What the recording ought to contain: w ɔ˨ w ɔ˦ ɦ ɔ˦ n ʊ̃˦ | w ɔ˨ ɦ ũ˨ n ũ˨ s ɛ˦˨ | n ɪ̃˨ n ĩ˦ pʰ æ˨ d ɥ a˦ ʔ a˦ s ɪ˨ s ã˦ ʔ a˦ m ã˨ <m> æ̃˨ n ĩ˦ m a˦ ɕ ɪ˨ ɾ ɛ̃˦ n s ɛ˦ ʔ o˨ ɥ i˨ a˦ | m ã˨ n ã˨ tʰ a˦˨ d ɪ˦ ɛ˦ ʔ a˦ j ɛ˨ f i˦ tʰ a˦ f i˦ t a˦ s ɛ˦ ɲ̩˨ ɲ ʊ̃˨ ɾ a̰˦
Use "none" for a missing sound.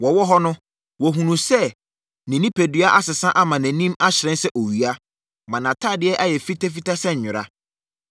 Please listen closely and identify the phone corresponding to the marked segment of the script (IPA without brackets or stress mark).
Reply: n